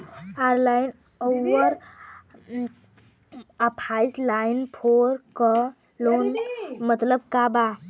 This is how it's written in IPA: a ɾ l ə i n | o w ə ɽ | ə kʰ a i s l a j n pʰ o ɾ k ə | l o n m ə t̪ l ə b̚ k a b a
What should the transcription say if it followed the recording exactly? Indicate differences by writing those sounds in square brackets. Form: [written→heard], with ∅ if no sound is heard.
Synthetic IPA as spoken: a ɾ l [ə→a] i n | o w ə [ɽ→ɾ] | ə [kʰ→pʰ] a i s l a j n pʰ o ɾ k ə | l o n m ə t̪ l ə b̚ k a b a